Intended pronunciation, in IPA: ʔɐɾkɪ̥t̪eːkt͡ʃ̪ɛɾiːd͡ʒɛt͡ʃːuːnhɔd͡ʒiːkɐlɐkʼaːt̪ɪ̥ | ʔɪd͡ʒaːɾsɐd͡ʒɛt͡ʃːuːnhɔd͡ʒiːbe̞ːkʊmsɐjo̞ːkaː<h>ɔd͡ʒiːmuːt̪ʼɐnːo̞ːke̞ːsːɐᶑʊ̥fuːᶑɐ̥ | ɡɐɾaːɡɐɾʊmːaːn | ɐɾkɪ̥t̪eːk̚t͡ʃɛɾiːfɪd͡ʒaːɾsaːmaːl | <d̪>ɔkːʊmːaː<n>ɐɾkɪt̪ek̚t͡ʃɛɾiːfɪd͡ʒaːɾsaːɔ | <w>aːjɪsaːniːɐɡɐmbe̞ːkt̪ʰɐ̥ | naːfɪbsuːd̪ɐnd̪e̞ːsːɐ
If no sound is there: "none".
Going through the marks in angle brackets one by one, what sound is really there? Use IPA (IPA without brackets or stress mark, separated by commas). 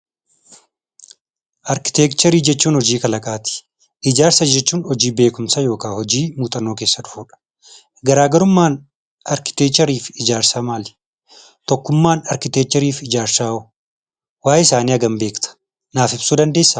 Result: h, t̪, n, w